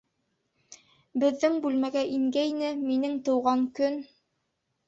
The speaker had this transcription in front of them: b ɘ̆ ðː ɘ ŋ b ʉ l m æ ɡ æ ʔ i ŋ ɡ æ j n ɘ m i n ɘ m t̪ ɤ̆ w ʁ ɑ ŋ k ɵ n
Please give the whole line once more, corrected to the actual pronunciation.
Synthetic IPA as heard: b ɘ̆ ðː ɘ ŋ b ʉ l m æ ɡ æ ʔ i ŋ ɡ æ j n ɘ m i n ɘ ŋ t̪ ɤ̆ w ʁ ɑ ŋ k ɵ n